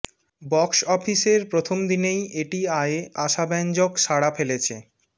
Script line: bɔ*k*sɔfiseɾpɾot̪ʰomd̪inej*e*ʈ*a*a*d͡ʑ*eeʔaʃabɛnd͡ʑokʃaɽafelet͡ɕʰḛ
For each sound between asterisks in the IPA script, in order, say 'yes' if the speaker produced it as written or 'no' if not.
yes, yes, no, no

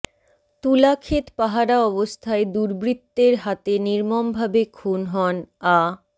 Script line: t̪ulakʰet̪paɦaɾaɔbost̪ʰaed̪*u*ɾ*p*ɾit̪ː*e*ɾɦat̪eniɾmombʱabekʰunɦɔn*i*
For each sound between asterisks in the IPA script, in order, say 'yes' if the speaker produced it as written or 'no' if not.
yes, no, yes, no

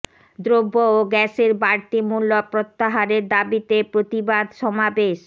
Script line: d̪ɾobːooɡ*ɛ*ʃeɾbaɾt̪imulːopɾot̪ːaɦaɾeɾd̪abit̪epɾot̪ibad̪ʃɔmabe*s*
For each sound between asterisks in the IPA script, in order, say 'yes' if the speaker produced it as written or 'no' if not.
yes, no

